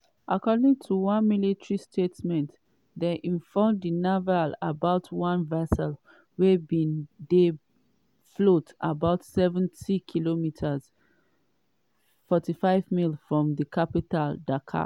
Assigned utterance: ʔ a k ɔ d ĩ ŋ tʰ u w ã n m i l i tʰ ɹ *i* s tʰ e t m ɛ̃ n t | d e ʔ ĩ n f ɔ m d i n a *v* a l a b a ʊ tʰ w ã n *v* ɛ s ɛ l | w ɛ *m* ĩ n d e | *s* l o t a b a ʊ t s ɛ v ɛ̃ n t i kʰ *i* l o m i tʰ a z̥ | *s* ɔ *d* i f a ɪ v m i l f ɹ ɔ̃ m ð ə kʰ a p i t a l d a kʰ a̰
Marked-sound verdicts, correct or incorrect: correct, correct, correct, incorrect, incorrect, correct, incorrect, incorrect

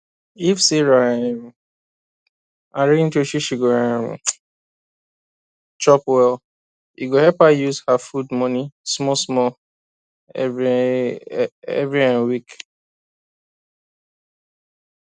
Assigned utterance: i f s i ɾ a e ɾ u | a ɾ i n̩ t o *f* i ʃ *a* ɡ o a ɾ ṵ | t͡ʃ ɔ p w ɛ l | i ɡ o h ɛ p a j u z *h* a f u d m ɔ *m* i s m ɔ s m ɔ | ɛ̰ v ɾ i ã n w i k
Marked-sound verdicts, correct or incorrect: incorrect, incorrect, correct, incorrect

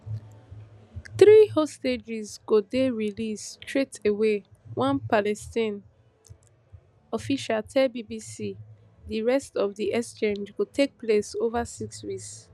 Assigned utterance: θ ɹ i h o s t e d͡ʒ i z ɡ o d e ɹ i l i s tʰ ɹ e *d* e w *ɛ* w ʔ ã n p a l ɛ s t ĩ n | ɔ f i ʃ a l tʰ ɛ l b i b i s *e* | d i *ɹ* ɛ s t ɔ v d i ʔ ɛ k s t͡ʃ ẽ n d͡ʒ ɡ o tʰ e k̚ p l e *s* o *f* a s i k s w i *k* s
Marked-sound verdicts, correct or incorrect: incorrect, incorrect, incorrect, correct, correct, incorrect, correct

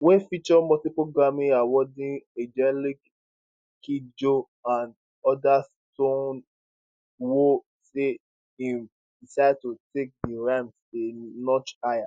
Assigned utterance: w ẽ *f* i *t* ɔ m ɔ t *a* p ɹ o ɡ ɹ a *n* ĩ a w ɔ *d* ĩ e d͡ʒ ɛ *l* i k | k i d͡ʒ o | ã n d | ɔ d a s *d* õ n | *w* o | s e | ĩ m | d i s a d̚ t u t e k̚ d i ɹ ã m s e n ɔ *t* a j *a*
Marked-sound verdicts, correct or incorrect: correct, incorrect, incorrect, incorrect, correct, correct, incorrect, correct, incorrect, correct

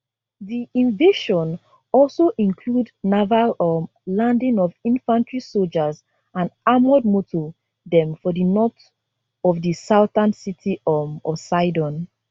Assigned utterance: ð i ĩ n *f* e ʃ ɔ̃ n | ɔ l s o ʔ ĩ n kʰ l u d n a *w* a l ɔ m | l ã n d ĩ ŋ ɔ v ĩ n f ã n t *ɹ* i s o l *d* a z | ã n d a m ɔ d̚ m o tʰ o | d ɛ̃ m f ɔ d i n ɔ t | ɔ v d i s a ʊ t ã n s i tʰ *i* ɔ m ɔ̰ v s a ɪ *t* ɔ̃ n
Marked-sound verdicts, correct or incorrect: incorrect, incorrect, correct, incorrect, correct, incorrect

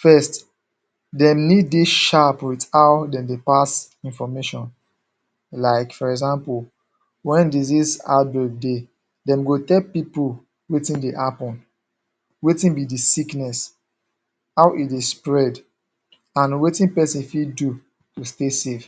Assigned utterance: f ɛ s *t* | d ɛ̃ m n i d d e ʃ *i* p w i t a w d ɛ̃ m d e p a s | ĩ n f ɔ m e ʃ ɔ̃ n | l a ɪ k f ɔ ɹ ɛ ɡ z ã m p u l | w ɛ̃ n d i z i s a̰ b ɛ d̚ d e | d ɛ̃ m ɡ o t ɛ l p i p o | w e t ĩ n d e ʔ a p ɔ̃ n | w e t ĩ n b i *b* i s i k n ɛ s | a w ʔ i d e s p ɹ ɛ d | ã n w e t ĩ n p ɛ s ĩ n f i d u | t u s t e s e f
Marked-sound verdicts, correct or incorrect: correct, incorrect, incorrect

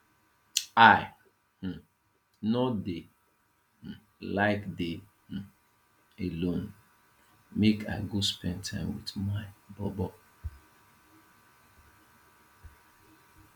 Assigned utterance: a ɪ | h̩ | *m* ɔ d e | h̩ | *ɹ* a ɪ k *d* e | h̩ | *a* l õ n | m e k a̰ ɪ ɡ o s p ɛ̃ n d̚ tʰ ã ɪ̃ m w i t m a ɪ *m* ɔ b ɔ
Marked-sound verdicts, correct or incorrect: incorrect, incorrect, correct, incorrect, incorrect

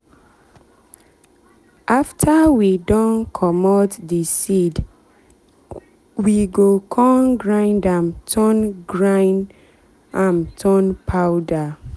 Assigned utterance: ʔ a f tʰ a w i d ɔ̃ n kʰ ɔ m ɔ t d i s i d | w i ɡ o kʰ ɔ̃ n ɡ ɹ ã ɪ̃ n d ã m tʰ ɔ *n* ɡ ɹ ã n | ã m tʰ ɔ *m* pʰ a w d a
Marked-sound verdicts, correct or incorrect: correct, incorrect

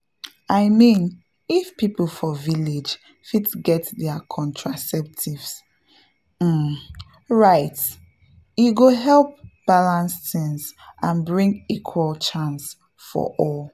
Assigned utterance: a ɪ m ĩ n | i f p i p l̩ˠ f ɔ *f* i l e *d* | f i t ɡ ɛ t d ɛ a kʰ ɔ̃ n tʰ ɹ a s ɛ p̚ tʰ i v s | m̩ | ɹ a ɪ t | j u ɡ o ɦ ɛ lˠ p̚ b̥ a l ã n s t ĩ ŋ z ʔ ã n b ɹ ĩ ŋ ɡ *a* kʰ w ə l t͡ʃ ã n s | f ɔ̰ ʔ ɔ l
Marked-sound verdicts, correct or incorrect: incorrect, incorrect, incorrect

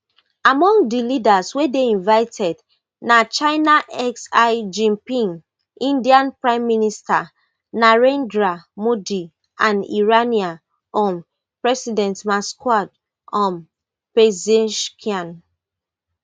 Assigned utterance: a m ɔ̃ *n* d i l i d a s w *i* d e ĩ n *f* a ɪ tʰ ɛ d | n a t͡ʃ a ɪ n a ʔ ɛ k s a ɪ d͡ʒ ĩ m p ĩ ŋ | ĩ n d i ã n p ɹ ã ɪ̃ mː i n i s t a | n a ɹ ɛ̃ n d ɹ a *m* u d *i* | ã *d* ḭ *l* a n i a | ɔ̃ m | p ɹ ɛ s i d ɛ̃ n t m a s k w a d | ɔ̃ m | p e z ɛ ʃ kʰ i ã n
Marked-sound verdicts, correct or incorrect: incorrect, incorrect, incorrect, correct, correct, incorrect, incorrect

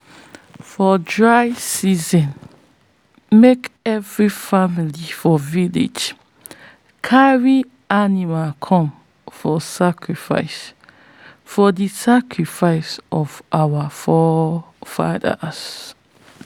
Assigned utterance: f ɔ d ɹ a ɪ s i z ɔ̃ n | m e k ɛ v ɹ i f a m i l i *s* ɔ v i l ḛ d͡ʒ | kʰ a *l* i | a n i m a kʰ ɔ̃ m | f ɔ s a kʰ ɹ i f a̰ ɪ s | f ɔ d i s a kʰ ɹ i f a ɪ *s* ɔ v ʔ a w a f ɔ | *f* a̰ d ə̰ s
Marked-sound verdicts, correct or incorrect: incorrect, incorrect, correct, correct

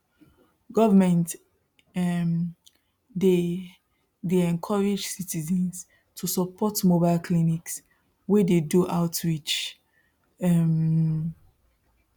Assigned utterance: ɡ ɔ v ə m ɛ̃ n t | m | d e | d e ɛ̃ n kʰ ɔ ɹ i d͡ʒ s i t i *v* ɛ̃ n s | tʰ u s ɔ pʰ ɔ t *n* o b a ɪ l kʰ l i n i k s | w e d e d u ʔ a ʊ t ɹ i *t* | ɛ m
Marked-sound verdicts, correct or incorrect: incorrect, incorrect, incorrect

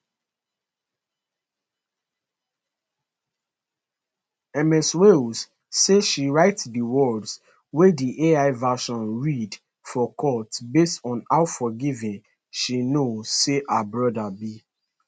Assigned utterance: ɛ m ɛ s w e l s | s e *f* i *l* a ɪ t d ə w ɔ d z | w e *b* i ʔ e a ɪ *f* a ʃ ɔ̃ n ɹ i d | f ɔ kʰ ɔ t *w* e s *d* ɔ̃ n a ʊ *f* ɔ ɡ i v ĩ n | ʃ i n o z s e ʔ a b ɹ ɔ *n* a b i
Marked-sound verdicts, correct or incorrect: incorrect, incorrect, incorrect, incorrect, incorrect, incorrect, correct, incorrect

